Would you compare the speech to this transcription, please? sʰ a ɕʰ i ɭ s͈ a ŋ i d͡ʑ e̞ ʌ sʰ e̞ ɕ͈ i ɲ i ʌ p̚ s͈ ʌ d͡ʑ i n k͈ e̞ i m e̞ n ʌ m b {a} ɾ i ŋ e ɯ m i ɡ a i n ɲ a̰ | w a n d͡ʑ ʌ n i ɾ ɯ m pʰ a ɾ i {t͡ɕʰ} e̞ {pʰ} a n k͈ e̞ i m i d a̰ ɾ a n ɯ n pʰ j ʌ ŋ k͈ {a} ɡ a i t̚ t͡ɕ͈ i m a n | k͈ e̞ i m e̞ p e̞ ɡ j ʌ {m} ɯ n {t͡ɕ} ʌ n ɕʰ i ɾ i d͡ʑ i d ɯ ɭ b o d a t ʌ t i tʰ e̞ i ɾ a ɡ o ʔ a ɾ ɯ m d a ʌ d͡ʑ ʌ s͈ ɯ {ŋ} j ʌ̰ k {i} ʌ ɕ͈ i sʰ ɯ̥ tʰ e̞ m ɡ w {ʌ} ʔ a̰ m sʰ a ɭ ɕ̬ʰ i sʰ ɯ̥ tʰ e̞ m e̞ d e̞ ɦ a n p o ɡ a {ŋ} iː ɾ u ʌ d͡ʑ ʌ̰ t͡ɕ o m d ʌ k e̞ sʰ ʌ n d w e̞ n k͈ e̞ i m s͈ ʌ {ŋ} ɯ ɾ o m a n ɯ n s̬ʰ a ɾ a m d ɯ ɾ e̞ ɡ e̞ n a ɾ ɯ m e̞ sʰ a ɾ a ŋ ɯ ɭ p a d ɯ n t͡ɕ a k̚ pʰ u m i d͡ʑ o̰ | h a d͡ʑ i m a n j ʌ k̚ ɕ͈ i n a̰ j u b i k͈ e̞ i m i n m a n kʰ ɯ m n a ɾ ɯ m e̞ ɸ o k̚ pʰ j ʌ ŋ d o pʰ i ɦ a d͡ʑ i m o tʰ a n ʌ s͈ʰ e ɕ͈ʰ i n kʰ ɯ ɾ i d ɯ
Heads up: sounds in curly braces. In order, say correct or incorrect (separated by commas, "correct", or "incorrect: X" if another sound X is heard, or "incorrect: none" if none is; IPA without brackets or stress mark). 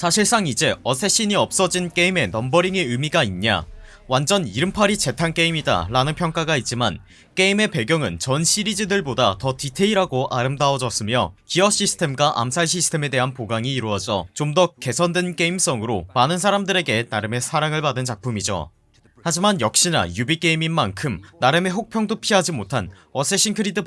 incorrect: ʌ, incorrect: t͡ɕ, incorrect: tʰ, correct, incorrect: ŋ, correct, incorrect: m, correct, incorrect: a, correct, correct